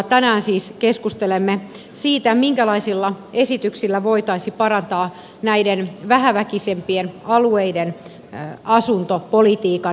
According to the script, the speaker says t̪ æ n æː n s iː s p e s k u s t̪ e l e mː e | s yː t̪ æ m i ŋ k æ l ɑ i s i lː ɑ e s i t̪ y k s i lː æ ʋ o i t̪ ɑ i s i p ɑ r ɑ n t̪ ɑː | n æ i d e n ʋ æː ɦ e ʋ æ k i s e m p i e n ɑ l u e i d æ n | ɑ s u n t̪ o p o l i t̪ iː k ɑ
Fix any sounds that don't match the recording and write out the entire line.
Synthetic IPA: t̪ æ n æː n s iː s k e s k u s t̪ e l e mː e | s iː t̪ æ m i ŋ k æ l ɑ i s i lː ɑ e s i t̪ y k s i lː æ ʋ o i t̪ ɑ i s i p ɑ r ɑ n t̪ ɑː | n æ i d e n ʋ æ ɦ æ ʋ æ k i s e m p i e n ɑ l u e i d e n | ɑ s u n t̪ o p o l i t̪ iː k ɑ

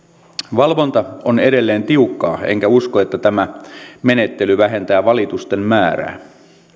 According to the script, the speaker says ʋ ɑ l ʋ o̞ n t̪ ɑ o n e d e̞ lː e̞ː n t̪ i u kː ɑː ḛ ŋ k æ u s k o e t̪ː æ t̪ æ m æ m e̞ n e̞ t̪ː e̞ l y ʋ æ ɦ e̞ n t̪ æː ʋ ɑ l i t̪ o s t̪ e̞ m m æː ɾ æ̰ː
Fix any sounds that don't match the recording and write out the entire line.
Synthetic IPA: ʋ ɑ l ʋ o̞ n t̪ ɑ o n e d e̞ lː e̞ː n t̪ i u kː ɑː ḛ ŋ k æ u s k o e t̪ː æ t̪ æ m æ m e̞ n e̞ t̪ː e̞ l y ʋ æ ɦ e̞ n t̪ æː ʋ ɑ l i t̪ u s t̪ e̞ m m æː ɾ æ̰ː

